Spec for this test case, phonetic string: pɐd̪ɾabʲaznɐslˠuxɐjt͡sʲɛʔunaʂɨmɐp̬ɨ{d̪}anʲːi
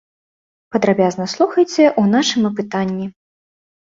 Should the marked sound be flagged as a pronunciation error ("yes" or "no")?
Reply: yes